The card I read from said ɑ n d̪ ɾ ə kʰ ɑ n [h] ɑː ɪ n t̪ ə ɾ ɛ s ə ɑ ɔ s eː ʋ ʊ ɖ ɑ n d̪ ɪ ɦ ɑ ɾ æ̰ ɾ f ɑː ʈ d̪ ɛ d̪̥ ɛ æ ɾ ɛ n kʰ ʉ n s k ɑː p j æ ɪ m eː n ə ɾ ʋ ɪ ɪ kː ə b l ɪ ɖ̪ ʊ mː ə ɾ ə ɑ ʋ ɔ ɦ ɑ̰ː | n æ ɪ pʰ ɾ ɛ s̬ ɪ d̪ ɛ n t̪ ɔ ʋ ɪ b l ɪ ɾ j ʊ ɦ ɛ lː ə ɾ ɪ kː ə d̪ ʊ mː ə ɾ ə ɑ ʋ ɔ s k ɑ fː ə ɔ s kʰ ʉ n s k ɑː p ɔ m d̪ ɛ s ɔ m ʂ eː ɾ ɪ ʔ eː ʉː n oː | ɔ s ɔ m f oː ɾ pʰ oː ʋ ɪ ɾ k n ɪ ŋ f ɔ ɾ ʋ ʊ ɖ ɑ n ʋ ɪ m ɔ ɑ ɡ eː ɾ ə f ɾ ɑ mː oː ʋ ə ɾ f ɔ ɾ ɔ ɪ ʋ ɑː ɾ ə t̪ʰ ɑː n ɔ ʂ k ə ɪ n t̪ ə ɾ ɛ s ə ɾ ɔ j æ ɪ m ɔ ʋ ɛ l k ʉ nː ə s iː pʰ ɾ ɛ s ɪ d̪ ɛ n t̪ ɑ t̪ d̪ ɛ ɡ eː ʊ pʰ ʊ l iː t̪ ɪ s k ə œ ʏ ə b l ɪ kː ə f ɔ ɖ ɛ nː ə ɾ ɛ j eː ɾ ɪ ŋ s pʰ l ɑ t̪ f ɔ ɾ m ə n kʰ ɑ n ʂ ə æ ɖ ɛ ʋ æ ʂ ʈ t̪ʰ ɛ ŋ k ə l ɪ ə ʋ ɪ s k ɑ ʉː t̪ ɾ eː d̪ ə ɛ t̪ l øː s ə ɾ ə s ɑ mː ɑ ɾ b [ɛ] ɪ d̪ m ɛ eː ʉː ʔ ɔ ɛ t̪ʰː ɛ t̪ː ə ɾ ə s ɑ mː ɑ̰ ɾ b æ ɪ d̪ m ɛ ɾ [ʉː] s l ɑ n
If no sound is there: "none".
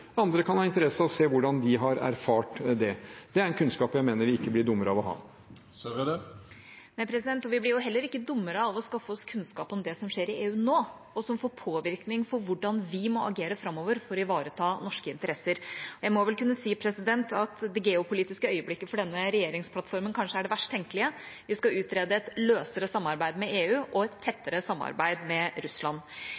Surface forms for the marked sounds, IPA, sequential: h, æ, ʉ

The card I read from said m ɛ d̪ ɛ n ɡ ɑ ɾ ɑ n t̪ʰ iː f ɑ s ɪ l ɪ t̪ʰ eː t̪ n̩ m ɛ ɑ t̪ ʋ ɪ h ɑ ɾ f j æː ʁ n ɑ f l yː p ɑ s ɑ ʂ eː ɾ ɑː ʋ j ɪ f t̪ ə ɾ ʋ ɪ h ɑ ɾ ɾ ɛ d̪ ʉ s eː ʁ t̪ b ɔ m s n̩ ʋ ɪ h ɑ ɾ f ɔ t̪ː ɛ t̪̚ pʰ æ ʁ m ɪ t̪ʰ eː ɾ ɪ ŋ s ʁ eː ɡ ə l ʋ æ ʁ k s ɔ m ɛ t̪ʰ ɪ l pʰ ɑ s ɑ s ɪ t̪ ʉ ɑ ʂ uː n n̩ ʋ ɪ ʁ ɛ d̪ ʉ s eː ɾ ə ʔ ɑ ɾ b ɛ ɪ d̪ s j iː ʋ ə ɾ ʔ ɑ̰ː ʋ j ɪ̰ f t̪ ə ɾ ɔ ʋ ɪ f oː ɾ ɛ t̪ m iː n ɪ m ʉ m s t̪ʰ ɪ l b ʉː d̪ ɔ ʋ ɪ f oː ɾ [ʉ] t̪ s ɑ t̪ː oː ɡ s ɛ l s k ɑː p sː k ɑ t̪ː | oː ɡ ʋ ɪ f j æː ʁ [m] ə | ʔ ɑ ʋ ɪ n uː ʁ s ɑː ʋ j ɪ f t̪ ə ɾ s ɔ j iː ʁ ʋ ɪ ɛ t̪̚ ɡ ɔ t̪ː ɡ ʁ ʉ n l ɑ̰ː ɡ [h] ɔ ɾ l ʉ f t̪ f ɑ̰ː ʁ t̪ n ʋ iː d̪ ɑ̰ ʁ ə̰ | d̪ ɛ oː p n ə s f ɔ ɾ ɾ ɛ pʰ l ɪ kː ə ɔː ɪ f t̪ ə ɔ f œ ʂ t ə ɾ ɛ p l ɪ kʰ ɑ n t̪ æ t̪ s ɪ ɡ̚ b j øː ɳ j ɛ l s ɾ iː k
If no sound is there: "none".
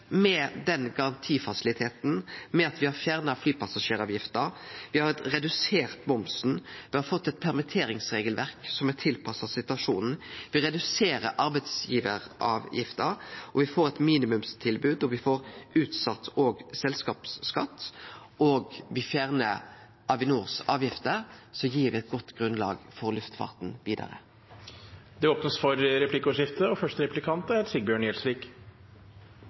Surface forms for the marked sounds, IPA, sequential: ʉː, n, f

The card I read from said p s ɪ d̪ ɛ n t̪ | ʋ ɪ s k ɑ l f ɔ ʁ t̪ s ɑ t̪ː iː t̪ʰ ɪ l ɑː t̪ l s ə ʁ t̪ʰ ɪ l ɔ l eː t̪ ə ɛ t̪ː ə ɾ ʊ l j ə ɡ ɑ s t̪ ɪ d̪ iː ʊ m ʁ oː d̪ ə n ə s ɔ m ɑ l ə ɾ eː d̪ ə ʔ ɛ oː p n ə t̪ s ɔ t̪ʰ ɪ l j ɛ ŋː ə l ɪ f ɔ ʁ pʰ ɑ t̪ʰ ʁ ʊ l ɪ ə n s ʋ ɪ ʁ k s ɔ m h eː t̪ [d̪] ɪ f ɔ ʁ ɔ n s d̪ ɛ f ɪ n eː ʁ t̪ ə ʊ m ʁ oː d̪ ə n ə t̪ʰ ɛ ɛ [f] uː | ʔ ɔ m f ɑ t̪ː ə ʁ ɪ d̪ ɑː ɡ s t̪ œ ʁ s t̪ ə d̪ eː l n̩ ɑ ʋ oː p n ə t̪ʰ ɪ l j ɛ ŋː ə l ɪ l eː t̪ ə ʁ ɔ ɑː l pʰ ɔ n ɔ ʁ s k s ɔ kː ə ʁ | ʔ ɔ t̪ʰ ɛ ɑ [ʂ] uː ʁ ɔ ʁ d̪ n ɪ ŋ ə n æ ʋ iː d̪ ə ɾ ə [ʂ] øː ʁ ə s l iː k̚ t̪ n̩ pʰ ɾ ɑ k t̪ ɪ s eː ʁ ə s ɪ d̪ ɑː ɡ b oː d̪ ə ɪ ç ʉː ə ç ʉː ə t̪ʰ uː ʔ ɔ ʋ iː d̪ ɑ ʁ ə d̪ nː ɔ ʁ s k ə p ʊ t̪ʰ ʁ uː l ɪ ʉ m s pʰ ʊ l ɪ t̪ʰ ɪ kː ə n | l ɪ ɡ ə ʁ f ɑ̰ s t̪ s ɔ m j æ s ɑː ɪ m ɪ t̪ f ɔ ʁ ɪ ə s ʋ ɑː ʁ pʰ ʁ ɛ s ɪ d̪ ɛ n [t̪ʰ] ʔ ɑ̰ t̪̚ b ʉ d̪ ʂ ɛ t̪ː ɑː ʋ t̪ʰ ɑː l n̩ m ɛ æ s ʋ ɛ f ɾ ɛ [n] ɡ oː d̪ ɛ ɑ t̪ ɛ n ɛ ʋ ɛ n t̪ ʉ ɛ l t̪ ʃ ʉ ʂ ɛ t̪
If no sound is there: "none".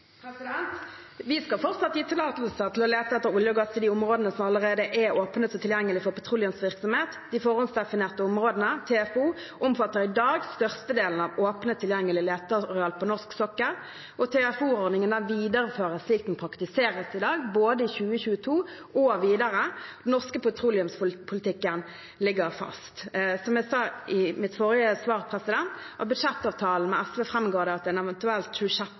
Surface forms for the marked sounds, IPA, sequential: d̪, f, f, f, t̪, m

